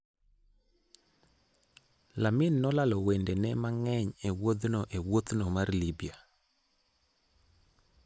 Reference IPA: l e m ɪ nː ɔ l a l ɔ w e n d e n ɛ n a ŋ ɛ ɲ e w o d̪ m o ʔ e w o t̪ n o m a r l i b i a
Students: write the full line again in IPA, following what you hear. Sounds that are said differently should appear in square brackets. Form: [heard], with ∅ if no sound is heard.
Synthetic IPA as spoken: l [a] m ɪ nː ɔ l a l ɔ w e n d e n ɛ [m] a ŋ ɛ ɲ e w o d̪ [n] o ʔ e w o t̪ n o m a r l i b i a